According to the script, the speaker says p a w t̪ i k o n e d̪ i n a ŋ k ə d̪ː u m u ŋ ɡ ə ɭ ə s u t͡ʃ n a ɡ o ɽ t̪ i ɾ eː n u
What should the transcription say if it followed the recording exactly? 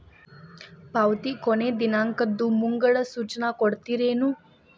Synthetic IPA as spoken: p a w t̪ i k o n e d̪ i n a ŋ k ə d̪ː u m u ŋ ɡ ə ɭ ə s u t͡ʃ n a k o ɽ t̪ i ɾ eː n u